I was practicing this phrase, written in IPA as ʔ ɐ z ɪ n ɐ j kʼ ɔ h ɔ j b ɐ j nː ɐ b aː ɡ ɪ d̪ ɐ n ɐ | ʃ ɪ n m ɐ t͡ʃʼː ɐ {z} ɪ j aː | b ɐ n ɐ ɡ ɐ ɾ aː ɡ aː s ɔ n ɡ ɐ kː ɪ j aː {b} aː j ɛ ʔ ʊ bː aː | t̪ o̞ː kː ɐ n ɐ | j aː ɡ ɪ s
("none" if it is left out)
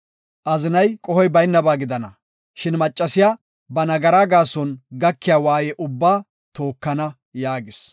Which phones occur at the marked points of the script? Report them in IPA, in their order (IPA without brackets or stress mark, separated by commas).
s, w